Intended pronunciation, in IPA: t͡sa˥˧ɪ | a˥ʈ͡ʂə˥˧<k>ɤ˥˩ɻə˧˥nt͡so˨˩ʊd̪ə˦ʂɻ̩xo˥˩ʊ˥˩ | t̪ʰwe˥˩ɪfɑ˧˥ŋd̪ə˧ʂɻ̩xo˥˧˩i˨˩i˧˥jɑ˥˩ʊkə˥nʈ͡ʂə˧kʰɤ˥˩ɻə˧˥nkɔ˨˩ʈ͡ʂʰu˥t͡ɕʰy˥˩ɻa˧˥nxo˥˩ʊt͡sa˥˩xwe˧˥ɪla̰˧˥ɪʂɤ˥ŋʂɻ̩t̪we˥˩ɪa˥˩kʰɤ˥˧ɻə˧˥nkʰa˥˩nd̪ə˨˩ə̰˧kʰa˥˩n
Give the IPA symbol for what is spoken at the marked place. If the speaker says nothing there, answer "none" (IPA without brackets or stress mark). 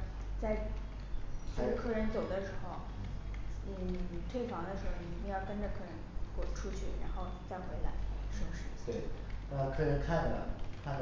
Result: kʰ